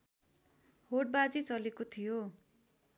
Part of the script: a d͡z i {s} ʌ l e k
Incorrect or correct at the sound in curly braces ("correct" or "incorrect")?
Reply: incorrect